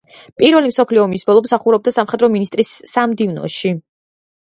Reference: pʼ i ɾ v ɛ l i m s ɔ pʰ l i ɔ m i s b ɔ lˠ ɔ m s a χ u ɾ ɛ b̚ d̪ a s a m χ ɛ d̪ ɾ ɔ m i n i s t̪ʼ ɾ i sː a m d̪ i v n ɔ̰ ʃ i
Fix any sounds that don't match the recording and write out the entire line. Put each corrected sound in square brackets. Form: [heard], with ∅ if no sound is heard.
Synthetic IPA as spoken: pʼ i ɾ v ɛ l i m s ɔ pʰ l i ɔ m i s b ɔ lˠ ɔ m s a χ u ɾ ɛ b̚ d̪ a s a m χ ɛ d̪ ɾ ɔ m i n i s t̪ʼ ɾ i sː a m d̪ i v n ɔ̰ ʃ i